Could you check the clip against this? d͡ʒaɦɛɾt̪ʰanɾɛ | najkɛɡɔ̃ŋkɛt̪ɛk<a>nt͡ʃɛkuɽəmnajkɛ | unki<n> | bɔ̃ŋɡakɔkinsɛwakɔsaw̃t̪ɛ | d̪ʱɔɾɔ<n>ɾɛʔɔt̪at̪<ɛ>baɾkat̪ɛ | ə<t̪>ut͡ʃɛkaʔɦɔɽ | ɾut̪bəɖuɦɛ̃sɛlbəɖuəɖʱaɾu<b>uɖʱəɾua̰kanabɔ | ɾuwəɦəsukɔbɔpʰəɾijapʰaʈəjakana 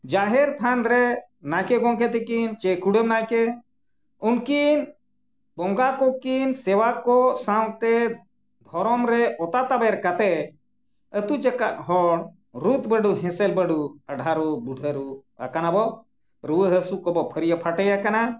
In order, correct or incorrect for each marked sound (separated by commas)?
incorrect, correct, incorrect, incorrect, correct, correct